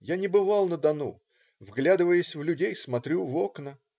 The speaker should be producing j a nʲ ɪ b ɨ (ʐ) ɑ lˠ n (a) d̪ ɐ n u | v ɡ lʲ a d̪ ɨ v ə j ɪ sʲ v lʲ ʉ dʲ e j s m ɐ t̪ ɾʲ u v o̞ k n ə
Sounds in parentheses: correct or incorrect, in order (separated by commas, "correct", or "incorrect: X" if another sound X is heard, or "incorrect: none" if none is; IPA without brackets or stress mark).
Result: incorrect: v, incorrect: ə